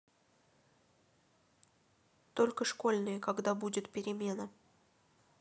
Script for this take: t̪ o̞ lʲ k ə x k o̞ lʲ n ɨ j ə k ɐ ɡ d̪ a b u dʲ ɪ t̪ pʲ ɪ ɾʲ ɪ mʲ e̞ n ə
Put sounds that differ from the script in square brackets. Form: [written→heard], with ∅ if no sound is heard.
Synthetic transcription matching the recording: t̪ o̞ lʲ k ə [x→ʂ] k o̞ lʲ n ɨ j ə k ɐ ɡ d̪ a b u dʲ ɪ t̪ pʲ ɪ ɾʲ ɪ mʲ e̞ n ə